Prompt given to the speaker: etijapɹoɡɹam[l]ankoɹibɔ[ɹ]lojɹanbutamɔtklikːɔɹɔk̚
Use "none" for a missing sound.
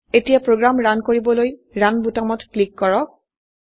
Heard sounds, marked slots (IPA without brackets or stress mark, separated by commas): ɹ, none